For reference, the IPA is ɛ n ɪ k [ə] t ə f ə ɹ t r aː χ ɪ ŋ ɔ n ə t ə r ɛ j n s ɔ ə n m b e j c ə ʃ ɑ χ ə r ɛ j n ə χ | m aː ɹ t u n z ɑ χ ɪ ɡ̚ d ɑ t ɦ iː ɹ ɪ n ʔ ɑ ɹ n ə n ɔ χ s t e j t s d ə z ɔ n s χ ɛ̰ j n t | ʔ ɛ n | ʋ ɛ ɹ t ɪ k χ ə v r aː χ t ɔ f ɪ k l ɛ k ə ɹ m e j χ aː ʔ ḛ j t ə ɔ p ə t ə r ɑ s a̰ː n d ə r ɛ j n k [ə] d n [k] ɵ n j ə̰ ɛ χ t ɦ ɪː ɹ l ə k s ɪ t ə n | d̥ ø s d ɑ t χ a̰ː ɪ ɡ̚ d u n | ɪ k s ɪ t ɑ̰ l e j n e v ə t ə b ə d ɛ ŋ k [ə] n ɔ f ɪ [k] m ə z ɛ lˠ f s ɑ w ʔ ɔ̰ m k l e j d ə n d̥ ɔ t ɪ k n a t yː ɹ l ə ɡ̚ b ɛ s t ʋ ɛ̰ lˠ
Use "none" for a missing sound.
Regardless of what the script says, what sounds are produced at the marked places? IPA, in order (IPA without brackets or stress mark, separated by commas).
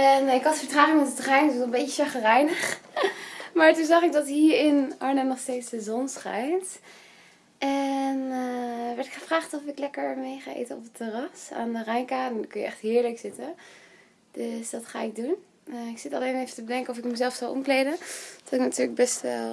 ɑ, a, k, ə, k